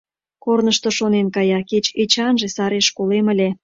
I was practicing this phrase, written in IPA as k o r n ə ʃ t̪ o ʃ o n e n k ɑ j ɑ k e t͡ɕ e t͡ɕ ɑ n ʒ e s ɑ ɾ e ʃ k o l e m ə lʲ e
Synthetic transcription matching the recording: k o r n ə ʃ t̪ o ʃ o n e n k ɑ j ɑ k e t͡ɕ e t͡ɕ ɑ n ʒ e s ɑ ɾ e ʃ k o l e m ə lʲ e